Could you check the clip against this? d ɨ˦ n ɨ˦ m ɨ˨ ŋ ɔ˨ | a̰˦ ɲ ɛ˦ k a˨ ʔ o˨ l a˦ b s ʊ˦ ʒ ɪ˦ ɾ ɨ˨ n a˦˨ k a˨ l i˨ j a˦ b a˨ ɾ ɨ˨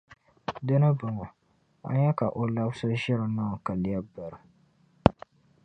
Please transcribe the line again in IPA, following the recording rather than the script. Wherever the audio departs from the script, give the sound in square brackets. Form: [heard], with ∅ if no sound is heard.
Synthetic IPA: d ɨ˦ n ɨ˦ [b] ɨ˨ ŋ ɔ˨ | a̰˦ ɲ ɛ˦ k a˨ ʔ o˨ l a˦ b s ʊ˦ ʒ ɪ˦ ɾ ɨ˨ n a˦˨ k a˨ l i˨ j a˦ b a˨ ɾ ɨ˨